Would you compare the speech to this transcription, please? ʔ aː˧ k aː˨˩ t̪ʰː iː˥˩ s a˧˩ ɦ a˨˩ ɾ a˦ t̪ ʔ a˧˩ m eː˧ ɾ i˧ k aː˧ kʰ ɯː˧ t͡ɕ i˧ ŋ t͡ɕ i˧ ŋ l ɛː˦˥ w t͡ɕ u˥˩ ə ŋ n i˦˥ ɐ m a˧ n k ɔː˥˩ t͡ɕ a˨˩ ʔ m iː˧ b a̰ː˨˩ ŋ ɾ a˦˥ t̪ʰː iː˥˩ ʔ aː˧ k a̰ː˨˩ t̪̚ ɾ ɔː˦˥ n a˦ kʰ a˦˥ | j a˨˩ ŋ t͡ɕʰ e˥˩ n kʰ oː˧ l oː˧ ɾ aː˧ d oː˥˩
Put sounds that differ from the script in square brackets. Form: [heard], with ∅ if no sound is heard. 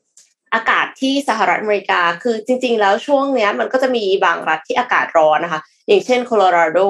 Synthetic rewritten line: ʔ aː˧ k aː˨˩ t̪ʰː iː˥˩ s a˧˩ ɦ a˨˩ ɾ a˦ t̪ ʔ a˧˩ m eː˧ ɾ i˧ k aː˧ kʰ ɯː˧ t͡ɕ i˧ ŋ t͡ɕ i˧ ŋ l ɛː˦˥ w [t͡ɕʰ] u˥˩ ə ŋ n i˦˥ ɐ m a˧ n k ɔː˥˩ t͡ɕ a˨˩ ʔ m iː˧ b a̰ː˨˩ ŋ ɾ a˦˥ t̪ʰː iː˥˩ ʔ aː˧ k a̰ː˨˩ t̪̚ ɾ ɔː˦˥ n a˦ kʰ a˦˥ | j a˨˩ ŋ t͡ɕʰ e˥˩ n kʰ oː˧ l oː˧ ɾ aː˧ d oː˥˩